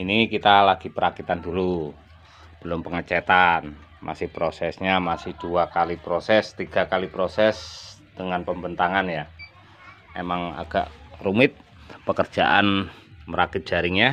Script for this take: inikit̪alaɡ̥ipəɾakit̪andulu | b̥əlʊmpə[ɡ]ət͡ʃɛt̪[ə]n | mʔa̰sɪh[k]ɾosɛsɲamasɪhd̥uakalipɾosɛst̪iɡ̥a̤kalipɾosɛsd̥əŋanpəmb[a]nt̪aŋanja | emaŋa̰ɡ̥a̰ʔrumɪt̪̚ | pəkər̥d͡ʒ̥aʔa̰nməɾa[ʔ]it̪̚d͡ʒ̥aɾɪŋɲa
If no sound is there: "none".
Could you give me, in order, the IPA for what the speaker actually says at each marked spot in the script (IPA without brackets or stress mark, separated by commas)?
ŋ, a, p, ə, k